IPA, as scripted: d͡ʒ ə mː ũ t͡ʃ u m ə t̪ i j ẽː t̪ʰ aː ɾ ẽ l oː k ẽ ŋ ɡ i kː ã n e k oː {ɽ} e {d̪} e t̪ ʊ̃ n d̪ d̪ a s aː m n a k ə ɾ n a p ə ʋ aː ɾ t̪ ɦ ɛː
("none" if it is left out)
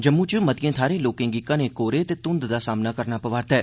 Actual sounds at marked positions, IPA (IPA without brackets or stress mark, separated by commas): ɾ, t̪